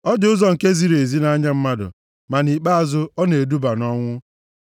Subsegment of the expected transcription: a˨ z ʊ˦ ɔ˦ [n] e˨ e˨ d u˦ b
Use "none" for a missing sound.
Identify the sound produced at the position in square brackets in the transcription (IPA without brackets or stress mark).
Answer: n